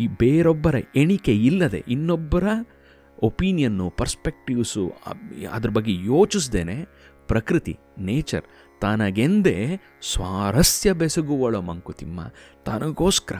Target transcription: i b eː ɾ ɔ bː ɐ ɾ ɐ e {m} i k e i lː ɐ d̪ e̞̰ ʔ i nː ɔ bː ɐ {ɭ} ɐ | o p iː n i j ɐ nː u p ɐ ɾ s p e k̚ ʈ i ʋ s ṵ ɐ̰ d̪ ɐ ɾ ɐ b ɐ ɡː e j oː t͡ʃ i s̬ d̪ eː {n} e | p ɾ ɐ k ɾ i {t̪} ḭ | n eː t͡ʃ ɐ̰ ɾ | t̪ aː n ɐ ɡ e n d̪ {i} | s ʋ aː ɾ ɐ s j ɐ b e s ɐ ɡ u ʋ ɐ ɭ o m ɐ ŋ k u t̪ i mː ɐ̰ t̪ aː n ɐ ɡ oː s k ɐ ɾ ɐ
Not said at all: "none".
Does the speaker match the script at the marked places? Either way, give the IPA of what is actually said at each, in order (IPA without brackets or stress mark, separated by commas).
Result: ɳ, ɾ, n, t̪, e